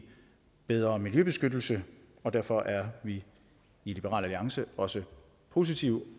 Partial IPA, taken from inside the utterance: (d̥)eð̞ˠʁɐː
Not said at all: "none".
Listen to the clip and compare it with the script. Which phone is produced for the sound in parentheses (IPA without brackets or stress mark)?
b̥